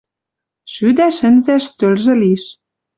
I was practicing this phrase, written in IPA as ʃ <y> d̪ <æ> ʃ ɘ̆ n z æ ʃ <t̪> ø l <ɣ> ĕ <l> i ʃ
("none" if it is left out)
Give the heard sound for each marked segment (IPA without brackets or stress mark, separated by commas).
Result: y, æ, t̪, ʒ, l